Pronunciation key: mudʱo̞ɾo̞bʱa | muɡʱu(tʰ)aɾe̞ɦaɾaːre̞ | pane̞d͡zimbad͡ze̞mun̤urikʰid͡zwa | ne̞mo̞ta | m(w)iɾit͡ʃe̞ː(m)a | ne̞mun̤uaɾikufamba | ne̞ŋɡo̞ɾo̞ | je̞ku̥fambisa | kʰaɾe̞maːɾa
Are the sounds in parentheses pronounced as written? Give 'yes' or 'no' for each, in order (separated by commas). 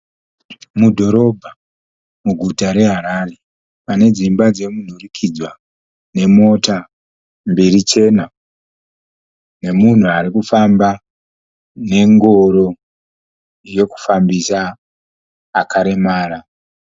no, no, no